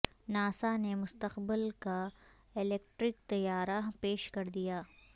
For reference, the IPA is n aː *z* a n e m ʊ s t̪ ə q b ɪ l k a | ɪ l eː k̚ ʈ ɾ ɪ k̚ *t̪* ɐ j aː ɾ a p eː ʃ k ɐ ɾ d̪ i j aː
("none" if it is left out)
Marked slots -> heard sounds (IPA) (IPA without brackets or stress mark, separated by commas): s, t̪